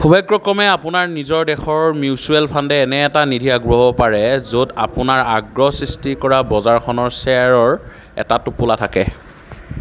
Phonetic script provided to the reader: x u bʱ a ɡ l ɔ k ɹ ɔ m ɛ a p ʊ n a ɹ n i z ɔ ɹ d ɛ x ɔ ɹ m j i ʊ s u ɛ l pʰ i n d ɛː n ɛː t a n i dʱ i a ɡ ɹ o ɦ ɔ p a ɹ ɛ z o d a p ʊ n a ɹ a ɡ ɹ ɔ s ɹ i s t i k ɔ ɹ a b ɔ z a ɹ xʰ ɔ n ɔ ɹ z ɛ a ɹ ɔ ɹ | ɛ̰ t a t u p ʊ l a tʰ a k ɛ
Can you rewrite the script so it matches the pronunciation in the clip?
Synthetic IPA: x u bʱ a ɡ ɹ ɔ k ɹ ɔ m ɛ a p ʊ n a ɹ n i z ɔ ɹ d ɛ x ɔ ɹ m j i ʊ s u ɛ l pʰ a n d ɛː n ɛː t a n i dʱ i a ɡ ɹ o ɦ ɔ p a ɹ ɛ z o d a p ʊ n a ɹ a ɡ ɹ ɔ s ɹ i s t i k ɔ ɹ a b ɔ z a ɹ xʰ ɔ n ɔ ɹ s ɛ a ɹ ɔ ɹ | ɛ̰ t a t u p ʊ l a tʰ a k ɛ